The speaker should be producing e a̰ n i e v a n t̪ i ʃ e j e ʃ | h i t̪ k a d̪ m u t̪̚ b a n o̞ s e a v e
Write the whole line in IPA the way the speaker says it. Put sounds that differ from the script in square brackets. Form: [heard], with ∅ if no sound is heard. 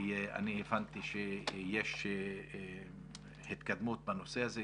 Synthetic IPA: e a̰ n i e v a n t̪ i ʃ e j e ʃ | h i t̪ k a d̪ m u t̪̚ b a n o̞ s e a [z] e